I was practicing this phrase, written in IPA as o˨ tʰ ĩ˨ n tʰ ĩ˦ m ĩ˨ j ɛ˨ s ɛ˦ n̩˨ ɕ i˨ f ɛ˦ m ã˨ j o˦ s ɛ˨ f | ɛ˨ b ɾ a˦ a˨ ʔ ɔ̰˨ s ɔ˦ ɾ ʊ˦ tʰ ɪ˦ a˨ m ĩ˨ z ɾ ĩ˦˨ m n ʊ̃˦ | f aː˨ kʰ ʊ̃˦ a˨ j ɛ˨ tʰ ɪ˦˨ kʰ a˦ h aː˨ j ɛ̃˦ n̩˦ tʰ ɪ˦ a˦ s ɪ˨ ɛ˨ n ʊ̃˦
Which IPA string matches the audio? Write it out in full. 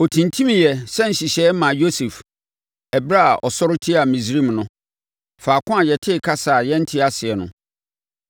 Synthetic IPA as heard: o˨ tʰ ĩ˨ n tʰ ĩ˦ m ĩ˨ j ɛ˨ s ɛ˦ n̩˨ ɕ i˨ ɕ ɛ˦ m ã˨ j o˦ s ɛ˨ f | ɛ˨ b ɾ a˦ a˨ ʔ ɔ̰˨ s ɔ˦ ɾ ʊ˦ tʰ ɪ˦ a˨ m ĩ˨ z ɾ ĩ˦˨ m n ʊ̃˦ | f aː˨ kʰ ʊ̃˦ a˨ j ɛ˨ tʰ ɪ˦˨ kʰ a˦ s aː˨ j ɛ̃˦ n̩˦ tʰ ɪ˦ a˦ s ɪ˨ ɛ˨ n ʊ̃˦